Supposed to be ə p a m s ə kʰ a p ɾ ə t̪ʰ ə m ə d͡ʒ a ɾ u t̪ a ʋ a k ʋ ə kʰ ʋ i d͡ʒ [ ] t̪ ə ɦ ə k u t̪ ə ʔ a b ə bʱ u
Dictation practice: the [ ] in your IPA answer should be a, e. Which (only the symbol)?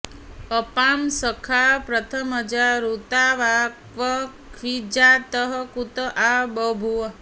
a